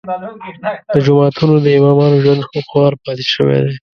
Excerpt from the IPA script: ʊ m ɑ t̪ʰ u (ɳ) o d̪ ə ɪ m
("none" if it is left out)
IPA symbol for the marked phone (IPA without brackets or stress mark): n